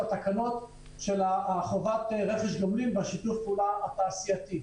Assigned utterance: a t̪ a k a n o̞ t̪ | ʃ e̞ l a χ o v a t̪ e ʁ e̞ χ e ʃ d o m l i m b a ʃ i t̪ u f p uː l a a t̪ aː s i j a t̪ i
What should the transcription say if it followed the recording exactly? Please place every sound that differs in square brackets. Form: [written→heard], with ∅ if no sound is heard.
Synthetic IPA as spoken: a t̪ a k a n o̞ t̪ | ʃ e̞ l a χ o v a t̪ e ʁ e̞ χ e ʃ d o m l i m b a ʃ i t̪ u f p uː l a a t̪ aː s i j a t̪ i

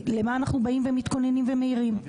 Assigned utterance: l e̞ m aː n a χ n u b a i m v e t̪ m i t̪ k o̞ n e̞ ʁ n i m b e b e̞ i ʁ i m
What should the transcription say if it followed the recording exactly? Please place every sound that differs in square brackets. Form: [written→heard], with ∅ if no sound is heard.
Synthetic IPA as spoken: l e̞ m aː n a χ n u b a i m v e [t̪→∅] m i t̪ k o̞ n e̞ [ʁ→∅] n i m [b→v] e [b→m] e̞ i ʁ i m

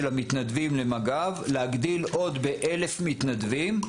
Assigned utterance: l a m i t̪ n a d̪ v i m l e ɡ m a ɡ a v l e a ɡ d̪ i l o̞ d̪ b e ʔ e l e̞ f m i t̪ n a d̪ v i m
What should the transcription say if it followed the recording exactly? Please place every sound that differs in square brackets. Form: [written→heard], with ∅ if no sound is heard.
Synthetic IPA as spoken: l a m i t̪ n a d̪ v i m l e [ɡ→∅] m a ɡ a v l e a ɡ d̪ i l o̞ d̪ b e ʔ e l e̞ f m i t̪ n a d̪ v i m

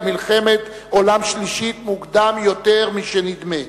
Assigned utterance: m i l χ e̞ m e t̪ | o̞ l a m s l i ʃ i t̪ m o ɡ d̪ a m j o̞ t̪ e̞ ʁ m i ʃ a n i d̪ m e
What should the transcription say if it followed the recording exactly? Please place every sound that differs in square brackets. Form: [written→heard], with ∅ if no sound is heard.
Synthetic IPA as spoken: m i l χ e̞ m e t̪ | o̞ l a m [s→ʃ] l i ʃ i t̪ m [o→u] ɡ d̪ a m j o̞ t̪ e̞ ʁ m i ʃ [a→e] n i d̪ m e

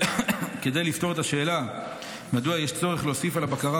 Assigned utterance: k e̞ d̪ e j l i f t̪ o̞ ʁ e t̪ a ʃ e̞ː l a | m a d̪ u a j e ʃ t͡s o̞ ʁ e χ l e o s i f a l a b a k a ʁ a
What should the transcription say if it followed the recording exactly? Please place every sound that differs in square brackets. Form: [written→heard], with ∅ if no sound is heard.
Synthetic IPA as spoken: k e̞ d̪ e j l i f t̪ o̞ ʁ e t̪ a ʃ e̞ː l a | m a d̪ u a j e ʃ t͡s o̞ ʁ e χ l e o s i f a l a b a k a ʁ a

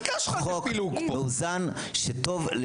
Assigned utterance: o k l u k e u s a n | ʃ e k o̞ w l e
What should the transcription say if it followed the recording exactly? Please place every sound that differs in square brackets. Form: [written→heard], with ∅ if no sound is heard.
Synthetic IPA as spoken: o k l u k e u [s→z] a n | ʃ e [k→t] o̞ [w→v] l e

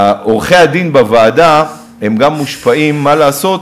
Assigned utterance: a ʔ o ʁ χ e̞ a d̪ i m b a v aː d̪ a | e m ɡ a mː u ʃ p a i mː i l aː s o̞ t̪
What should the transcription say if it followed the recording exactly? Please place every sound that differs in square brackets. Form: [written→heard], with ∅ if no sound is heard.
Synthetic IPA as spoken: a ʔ o ʁ χ e̞ a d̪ i [m→n] b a v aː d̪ a | e m ɡ a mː u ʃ p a i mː [i→a] l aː s o̞ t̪

